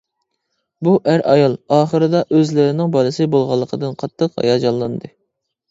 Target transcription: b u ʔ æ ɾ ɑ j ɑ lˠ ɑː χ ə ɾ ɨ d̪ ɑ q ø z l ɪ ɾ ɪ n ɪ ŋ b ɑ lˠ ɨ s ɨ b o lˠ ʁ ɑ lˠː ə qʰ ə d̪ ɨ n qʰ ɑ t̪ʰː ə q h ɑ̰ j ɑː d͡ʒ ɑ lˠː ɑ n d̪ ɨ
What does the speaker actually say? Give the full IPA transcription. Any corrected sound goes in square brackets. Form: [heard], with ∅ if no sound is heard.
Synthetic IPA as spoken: b u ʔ æ ɾ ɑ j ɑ lˠ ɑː χ ə ɾ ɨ d̪ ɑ [ʔ] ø z l ɪ ɾ ɪ n ɪ ŋ b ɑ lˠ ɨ s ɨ b o lˠ ʁ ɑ lˠː ə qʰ ə d̪ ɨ n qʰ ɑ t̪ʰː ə q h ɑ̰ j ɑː d͡ʒ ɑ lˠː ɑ n d̪ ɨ

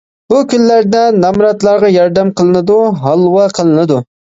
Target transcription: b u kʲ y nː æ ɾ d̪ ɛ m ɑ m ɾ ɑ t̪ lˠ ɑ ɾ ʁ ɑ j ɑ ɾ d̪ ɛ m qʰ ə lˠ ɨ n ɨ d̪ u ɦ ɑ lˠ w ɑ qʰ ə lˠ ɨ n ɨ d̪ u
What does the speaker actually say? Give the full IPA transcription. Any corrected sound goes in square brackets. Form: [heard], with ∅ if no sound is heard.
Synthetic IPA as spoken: b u kʲ y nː æ ɾ d̪ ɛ [n] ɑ m ɾ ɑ t̪ lˠ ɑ ɾ ʁ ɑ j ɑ ɾ d̪ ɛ m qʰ ə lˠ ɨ n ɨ d̪ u ɦ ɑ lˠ w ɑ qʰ ə lˠ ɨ n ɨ d̪ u

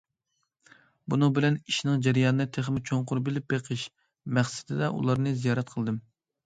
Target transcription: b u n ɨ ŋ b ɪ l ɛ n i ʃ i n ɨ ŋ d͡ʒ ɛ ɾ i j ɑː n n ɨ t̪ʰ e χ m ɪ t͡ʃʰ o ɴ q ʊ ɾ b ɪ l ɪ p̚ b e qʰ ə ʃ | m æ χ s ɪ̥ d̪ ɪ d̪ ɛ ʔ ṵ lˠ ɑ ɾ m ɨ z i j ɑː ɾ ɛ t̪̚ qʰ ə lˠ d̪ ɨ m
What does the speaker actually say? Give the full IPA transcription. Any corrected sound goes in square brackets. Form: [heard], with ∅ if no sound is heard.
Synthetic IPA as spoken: b u n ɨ ŋ b ɪ l ɛ n i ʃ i n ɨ ŋ d͡ʒ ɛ ɾ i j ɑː n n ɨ t̪ʰ e χ m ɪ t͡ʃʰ o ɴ q ʊ ɾ b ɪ l ɪ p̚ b e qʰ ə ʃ | m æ χ s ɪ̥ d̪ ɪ d̪ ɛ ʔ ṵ lˠ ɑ ɾ [n] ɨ z i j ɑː ɾ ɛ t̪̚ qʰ ə lˠ d̪ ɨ m

